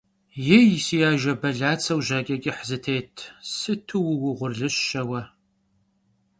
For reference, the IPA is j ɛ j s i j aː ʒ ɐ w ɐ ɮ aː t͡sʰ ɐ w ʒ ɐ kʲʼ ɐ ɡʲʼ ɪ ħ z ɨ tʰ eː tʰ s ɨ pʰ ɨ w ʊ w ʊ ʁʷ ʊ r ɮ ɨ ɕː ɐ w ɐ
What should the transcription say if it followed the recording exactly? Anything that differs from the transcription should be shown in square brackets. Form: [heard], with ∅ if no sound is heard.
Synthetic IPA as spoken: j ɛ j s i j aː ʒ ɐ [b] ɐ ɮ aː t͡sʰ ɐ w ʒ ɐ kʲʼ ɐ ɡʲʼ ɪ ħ z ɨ tʰ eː tʰ s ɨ [tʰ] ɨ w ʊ w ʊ ʁʷ ʊ r ɮ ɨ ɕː ɐ w ɐ